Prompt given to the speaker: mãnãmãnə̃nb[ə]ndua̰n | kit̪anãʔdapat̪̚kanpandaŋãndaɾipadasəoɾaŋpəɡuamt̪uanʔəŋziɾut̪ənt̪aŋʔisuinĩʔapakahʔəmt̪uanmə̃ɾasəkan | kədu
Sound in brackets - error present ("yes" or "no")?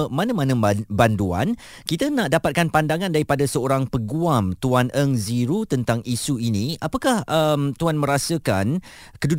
yes